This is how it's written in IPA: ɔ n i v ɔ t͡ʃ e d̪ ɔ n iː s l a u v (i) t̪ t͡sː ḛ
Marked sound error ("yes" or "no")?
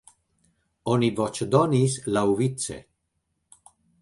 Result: no